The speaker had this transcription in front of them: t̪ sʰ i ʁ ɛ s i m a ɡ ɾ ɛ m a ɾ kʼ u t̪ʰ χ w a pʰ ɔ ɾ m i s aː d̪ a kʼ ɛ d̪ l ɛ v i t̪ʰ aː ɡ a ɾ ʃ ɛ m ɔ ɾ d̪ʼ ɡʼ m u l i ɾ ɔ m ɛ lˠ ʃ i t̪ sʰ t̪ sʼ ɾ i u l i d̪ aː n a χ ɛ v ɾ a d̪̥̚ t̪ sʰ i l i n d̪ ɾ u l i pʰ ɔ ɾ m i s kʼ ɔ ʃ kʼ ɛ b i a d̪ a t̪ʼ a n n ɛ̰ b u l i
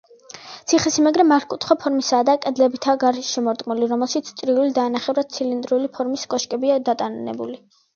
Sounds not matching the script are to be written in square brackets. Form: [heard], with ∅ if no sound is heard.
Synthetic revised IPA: t̪ sʰ i [χ] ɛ s i m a ɡ ɾ ɛ m a ɾ kʼ u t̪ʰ χ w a pʰ ɔ ɾ m i s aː d̪ a kʼ ɛ d̪ l ɛ [b] i t̪ʰ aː ɡ a ɾ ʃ ɛ m ɔ ɾ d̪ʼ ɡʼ m u l i ɾ ɔ m ɛ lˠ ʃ i t̪ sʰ t̪ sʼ ɾ i u l i d̪ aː n a χ ɛ v ɾ a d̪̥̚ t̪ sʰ i l i n d̪ ɾ u l i pʰ ɔ ɾ m i s kʼ ɔ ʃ kʼ ɛ b i a d̪ a t̪ʼ a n n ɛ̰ b u l i